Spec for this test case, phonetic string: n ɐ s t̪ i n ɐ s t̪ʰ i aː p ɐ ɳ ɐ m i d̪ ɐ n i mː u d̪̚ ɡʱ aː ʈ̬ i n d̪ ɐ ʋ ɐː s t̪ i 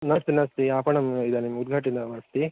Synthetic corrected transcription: n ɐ s t̪ i n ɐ s t̪ i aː p ɐ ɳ ɐ m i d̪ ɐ n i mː u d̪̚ ɡʱ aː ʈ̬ i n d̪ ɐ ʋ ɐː s t̪ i